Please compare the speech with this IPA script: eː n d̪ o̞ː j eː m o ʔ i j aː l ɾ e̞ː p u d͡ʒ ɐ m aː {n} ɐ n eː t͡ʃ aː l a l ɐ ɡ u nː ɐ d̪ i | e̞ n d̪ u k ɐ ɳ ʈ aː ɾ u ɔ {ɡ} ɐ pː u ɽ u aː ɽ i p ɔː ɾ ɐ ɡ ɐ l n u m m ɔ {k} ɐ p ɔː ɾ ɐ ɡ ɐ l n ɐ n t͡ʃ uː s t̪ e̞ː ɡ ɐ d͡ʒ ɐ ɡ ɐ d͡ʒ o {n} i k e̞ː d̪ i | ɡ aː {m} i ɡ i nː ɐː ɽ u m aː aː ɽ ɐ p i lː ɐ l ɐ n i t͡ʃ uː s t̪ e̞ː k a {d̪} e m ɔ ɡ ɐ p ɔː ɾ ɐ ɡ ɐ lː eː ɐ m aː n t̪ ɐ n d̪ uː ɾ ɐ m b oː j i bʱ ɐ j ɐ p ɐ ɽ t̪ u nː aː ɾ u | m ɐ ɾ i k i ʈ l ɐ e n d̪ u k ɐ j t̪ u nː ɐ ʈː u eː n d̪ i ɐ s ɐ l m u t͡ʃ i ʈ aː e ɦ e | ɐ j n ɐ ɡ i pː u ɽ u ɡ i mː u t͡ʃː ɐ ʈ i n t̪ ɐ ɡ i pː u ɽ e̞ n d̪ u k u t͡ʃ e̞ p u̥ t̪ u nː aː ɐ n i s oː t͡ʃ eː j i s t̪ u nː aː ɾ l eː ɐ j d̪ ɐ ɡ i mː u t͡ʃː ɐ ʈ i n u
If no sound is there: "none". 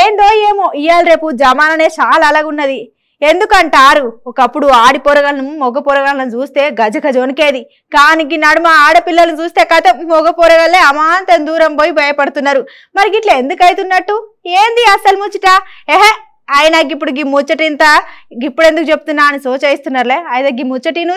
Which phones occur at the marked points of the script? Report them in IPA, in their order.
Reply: n, k, ɡ, n, n, t̪

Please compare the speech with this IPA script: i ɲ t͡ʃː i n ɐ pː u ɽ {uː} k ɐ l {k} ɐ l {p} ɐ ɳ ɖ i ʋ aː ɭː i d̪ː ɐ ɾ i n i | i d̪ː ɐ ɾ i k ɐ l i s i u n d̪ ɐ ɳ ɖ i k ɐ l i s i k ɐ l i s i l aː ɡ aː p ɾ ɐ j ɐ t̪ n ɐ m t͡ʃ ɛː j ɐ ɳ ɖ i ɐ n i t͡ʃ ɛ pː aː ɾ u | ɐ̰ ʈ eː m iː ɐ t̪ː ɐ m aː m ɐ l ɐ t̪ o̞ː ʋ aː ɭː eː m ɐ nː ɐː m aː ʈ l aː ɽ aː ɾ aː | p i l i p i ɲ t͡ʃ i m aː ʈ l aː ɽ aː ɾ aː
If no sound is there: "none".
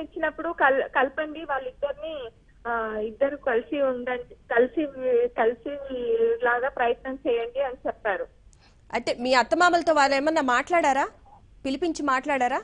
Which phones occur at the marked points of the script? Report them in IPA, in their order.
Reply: u, k, p

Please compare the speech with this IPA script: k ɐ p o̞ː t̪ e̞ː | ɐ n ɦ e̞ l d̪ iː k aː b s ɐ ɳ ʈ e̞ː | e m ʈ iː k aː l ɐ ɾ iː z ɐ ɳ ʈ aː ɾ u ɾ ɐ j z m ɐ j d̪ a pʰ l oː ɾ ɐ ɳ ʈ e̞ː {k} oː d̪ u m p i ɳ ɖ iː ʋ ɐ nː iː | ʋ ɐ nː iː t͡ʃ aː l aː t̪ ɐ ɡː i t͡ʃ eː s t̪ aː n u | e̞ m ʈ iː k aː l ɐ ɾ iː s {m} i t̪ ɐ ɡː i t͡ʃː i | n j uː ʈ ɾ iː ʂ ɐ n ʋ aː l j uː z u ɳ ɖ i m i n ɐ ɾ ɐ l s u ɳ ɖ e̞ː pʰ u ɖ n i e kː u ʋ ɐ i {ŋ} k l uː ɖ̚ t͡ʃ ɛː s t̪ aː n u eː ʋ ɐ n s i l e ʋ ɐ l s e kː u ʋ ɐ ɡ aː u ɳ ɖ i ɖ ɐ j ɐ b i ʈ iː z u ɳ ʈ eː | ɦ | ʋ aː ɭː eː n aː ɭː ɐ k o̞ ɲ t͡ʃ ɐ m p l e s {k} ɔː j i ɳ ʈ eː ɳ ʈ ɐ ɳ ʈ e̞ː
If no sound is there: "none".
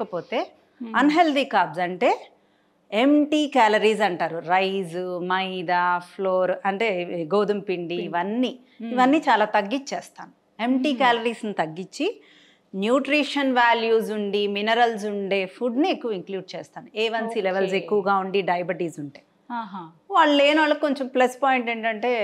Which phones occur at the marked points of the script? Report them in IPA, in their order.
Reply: ɡ, n, ŋ, p

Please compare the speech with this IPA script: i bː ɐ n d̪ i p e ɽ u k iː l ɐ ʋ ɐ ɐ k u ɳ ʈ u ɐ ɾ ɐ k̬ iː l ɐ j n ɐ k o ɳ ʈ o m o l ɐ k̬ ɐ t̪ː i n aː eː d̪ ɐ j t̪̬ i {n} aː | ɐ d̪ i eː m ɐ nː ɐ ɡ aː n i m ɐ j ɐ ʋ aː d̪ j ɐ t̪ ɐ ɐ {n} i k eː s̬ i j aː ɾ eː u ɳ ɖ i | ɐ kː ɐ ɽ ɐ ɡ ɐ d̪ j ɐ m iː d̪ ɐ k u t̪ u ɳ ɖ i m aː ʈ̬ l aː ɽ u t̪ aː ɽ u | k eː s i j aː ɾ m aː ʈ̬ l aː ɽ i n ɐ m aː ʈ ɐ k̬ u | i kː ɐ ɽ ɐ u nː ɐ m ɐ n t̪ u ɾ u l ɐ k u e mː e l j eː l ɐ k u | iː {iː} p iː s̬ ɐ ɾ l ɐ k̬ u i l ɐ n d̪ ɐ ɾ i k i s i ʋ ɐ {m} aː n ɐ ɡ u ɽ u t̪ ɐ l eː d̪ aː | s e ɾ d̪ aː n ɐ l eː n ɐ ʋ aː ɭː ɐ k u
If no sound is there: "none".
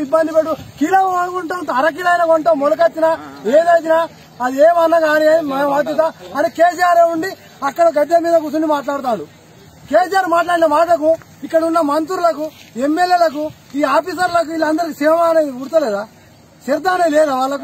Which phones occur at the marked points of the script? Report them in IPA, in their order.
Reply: n, n, aː, m

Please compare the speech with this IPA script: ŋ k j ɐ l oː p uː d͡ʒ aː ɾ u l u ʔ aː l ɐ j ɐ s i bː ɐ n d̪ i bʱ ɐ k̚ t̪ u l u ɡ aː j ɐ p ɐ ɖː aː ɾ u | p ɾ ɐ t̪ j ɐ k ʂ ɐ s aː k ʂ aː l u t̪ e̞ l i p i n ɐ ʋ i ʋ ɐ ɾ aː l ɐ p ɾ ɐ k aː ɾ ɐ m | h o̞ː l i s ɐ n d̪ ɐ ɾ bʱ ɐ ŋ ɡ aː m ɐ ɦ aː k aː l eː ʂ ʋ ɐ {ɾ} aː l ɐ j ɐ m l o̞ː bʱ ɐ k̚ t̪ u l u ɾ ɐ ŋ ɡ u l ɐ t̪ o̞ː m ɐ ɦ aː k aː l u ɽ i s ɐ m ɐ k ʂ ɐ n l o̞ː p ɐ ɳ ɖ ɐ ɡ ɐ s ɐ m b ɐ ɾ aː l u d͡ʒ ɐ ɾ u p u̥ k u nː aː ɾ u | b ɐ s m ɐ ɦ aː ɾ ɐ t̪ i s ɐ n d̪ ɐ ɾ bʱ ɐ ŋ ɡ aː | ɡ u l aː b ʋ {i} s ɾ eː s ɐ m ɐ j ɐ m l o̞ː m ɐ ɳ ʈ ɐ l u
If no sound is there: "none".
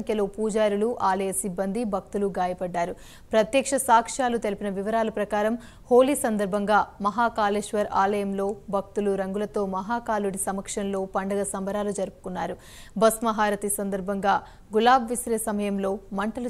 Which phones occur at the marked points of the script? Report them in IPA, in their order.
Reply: ɾ, i

